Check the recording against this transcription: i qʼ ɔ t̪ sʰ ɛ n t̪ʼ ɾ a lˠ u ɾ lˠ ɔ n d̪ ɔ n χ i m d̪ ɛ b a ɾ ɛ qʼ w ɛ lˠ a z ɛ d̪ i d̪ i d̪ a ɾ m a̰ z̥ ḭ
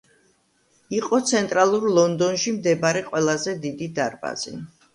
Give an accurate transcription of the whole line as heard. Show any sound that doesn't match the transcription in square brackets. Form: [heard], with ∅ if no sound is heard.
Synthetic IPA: i qʼ ɔ t̪ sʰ ɛ n t̪ʼ ɾ a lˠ u ɾ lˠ ɔ n d̪ ɔ n [ʃ] i m d̪ ɛ b a ɾ ɛ qʼ w ɛ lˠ a z ɛ d̪ i d̪ i d̪ a ɾ [b] a̰ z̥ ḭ